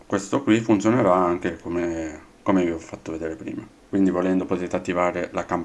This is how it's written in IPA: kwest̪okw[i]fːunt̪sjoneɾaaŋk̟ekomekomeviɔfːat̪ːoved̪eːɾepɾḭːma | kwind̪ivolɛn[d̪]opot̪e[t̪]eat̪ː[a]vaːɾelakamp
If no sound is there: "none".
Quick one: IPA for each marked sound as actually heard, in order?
i, d̪, t̪, i

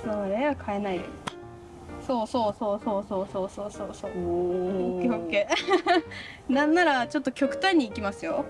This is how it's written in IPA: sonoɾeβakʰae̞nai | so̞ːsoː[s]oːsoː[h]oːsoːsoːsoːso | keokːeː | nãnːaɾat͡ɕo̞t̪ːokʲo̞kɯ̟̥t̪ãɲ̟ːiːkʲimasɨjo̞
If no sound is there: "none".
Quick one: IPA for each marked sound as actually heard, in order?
s, s

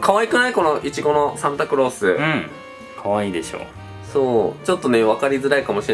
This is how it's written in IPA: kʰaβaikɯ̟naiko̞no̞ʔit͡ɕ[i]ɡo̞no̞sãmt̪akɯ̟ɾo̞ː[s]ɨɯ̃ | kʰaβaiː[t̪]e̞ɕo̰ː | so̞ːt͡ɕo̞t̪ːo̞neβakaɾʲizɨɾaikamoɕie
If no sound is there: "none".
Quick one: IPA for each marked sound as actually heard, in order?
i, s, d̪

